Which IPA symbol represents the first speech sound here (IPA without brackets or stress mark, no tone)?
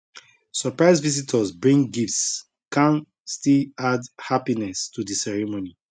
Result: s